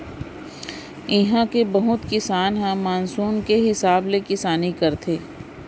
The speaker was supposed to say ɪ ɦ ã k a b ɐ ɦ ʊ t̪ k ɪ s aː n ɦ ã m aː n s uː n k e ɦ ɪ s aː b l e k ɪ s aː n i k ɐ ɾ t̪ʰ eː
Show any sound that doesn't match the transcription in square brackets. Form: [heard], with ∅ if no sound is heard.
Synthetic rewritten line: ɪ ɦ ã k [e] b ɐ ɦ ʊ t̪ k ɪ s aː n ɦ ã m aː n s uː n k e ɦ ɪ s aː b l e k ɪ s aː n i k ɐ ɾ t̪ʰ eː

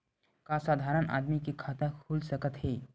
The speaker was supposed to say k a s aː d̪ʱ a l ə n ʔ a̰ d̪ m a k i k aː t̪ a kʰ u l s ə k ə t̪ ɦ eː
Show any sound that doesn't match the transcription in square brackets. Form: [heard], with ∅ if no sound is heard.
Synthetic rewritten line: k a s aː d̪ʱ a [ɾ] ə n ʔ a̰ d̪ m [i] k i [kʰ] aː t̪ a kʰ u l s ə k ə t̪ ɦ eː

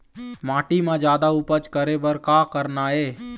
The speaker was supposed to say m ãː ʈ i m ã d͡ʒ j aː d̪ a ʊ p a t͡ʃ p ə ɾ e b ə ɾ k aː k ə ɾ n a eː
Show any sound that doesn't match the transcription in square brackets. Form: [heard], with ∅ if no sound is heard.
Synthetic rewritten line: m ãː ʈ i m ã d͡ʒ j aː d̪ a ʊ p [ə] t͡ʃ [k] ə ɾ e b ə ɾ k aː k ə ɾ n a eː

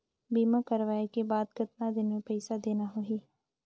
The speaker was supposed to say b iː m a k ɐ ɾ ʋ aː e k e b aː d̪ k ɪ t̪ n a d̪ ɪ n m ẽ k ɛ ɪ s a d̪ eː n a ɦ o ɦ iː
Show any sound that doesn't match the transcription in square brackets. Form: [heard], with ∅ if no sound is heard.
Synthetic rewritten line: b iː m a k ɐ ɾ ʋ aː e k e b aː d̪ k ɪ t̪ n a d̪ ɪ n m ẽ [p] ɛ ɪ s a d̪ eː n a ɦ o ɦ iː

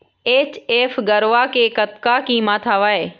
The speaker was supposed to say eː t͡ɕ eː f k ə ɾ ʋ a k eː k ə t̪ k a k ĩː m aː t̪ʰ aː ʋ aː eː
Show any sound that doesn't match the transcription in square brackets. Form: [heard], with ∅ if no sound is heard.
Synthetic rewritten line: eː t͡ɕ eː f [ɡ] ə ɾ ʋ a k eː k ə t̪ k a k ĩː m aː t̪ʰ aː ʋ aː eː

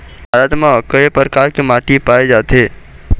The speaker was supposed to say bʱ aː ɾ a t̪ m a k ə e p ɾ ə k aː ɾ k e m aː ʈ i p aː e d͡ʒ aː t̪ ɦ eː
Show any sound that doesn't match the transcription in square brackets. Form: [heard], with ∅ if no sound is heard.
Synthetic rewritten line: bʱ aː ɾ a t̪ m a k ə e p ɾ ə k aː ɾ k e m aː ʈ i p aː e d͡ʒ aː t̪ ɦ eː

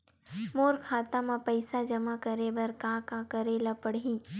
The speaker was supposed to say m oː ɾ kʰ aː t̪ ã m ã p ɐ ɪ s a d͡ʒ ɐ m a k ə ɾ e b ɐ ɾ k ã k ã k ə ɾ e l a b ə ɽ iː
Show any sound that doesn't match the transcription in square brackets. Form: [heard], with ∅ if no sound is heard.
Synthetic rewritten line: m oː ɾ kʰ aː t̪ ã m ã p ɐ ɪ s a d͡ʒ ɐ m a k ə ɾ e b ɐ ɾ k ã k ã k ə ɾ e l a [p] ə ɽ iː

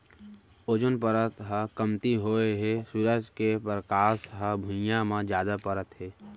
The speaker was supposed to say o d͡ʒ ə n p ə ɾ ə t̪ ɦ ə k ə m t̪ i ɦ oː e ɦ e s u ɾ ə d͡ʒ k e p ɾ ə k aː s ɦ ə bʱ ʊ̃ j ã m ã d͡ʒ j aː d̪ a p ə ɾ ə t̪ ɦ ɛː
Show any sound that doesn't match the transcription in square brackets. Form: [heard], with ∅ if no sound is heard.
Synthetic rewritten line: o d͡ʒ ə n p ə ɾ ə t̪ ɦ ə k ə m t̪ i ɦ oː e ɦ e s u ɾ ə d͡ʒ k e p ɾ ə k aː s ɦ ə bʱ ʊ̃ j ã m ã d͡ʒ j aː d̪ a p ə ɾ ə t̪ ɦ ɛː

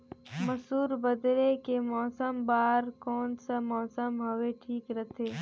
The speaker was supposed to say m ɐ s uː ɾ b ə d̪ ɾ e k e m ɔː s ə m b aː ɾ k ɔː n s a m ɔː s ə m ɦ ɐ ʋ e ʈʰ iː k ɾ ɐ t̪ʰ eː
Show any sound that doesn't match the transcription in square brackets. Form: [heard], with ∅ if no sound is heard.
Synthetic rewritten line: m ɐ s uː ɾ b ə d̪ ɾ e k e m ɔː s ə m b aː ɾ k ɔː n s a m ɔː s ə m ɦ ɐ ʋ e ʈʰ iː k ɾ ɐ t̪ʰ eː

